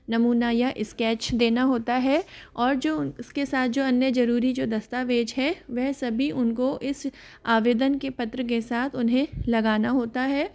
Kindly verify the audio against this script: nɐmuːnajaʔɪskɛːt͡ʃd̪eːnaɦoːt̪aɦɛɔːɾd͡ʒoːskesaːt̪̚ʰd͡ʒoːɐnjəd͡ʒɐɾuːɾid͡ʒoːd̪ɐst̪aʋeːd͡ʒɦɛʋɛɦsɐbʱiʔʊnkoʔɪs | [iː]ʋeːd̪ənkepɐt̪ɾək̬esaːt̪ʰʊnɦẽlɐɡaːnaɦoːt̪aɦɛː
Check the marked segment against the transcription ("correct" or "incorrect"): incorrect